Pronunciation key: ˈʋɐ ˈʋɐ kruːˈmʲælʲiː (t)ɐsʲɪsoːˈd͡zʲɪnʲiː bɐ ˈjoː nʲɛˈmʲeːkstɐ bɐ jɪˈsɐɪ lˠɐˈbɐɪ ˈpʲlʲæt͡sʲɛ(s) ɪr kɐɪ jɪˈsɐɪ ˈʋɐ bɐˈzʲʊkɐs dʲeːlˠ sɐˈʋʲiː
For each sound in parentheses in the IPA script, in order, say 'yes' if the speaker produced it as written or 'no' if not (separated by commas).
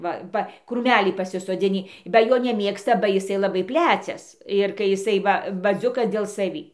no, yes